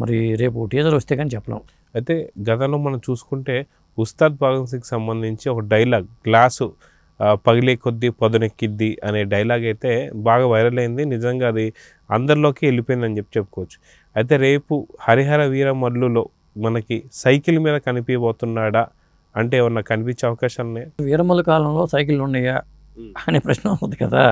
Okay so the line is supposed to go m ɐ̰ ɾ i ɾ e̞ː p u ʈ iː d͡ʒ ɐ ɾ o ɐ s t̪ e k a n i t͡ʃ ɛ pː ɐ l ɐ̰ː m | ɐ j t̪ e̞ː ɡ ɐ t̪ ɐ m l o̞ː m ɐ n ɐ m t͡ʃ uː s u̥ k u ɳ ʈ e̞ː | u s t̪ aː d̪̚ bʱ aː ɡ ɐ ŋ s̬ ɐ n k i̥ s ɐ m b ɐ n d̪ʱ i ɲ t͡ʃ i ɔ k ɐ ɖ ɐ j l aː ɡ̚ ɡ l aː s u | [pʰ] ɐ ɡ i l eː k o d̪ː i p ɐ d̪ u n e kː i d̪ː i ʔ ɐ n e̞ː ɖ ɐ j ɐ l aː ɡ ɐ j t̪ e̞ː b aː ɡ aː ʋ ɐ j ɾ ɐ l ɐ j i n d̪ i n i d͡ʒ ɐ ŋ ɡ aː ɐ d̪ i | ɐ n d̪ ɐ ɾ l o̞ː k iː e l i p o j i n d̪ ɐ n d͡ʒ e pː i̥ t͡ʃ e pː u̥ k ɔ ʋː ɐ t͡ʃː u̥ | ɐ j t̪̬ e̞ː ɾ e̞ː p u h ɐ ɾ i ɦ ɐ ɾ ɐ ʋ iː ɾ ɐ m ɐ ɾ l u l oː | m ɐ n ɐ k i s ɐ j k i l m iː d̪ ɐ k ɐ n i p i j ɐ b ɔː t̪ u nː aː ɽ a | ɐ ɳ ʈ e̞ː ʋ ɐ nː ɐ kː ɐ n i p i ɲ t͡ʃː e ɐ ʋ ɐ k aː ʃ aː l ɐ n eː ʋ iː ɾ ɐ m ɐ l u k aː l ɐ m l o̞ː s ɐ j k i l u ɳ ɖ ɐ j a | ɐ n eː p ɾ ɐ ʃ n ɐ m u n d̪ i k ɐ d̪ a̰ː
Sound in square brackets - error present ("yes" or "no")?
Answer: yes